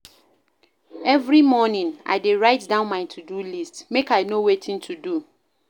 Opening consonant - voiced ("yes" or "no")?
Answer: yes